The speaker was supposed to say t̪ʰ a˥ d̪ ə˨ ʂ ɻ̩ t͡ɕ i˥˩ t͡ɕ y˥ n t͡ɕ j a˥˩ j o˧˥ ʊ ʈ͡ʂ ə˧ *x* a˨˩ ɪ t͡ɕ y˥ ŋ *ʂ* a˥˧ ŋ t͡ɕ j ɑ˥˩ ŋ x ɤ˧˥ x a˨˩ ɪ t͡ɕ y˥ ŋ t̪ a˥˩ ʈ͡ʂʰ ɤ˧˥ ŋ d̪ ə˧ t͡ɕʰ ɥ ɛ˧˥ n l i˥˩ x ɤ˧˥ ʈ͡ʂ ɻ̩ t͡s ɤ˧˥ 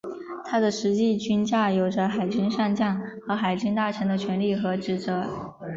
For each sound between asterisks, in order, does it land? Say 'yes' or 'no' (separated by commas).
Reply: yes, yes